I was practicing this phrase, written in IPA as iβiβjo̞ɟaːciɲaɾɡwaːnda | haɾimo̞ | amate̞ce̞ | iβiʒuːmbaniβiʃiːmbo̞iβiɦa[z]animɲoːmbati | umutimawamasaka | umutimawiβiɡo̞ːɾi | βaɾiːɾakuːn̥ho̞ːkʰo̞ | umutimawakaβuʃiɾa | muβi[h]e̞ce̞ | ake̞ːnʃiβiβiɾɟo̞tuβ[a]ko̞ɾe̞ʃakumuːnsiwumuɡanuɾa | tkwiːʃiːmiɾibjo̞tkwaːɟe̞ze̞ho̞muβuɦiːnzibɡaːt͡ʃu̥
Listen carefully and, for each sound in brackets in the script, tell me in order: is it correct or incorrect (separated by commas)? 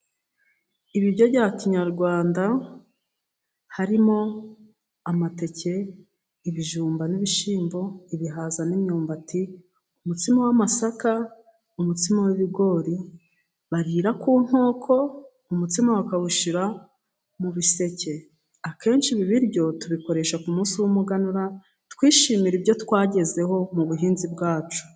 correct, incorrect, incorrect